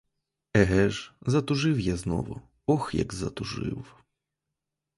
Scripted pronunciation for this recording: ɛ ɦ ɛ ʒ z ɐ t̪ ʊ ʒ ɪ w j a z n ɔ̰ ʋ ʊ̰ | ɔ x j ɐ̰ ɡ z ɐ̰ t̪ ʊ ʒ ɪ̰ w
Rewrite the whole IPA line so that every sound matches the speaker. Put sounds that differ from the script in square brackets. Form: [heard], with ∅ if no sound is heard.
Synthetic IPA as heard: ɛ ɦ ɛ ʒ z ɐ t̪ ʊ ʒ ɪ w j a z n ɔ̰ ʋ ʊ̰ | ɔ x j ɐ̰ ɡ z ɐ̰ t̪ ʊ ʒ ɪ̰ w